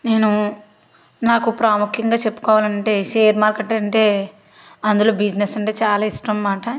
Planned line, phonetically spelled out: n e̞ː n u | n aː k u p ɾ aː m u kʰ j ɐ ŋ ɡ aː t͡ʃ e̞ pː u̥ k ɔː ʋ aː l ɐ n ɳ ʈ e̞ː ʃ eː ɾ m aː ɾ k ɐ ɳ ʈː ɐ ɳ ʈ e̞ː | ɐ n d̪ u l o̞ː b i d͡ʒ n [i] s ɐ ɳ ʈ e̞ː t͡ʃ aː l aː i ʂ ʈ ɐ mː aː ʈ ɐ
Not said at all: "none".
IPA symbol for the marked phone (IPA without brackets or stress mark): e